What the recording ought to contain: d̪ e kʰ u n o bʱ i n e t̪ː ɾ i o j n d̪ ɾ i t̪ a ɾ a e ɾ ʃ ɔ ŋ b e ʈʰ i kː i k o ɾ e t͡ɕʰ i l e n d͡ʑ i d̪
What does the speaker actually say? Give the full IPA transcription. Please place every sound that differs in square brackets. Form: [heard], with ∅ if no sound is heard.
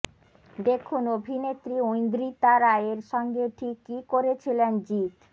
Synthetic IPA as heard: d̪ e kʰ u n o bʱ i n e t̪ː ɾ i o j n d̪ ɾ i t̪ a ɾ a e ɾ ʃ ɔ ŋ [ɡ] e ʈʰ i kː i k o ɾ e t͡ɕʰ i l e n d͡ʑ i [t̪]